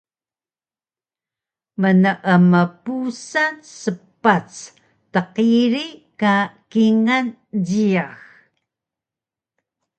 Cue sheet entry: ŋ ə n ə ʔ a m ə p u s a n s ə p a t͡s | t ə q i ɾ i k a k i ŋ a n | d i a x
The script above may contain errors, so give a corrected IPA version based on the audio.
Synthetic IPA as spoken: m ə n ə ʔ ə m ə p u s a n s ə p a t͡s | t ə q i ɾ i k a k i ŋ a n | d i a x

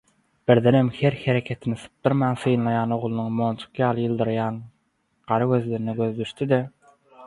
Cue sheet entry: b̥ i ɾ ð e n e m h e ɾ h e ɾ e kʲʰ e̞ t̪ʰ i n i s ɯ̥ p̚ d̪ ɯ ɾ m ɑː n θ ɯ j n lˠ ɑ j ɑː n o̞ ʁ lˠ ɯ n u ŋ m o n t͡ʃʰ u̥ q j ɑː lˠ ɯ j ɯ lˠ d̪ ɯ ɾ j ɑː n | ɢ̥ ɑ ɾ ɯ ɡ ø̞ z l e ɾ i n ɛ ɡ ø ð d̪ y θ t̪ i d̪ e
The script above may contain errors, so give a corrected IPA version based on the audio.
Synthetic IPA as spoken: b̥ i ɾ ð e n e m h e ɾ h e ɾ e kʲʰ e̞ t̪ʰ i n i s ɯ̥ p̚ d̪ ɯ ɾ m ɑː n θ ɯ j n lˠ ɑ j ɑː n o̞ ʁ lˠ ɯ n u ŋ m o n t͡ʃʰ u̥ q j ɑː lˠ ɯ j ɯ lˠ d̪ ɯ ɾ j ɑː n | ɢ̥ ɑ ɾ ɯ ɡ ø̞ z l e ɾ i n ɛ ɡ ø ð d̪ y ʃ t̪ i d̪ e

